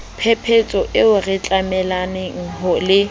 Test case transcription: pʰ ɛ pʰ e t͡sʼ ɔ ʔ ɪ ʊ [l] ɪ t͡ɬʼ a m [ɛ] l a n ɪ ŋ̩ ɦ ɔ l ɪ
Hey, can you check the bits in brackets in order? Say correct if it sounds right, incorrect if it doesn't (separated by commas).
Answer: incorrect, correct